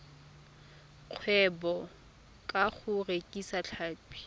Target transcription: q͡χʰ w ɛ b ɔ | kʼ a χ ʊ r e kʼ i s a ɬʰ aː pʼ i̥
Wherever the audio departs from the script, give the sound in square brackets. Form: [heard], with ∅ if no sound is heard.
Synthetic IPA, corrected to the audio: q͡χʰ w ɛ b ɔ | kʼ a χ ʊ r e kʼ i s a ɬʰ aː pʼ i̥